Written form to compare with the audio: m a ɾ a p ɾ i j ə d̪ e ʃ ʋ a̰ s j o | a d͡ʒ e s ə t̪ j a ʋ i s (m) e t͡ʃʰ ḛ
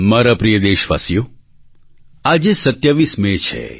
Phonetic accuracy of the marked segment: correct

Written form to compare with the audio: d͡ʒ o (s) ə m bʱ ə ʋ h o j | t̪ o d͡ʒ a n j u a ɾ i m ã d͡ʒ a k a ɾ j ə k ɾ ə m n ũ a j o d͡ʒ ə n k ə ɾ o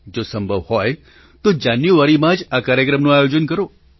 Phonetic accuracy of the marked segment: correct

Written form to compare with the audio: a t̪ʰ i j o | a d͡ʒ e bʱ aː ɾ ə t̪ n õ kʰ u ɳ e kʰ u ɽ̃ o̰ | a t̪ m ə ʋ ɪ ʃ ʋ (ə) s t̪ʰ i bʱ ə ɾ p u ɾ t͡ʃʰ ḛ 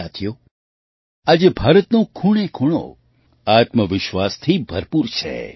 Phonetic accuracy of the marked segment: incorrect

